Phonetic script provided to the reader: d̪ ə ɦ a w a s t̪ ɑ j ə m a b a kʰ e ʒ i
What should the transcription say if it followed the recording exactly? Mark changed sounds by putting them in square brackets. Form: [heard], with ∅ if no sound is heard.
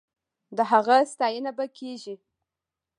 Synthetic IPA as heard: d̪ ə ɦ a [ɣ] a s t̪ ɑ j ə [n] a b a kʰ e ʒ i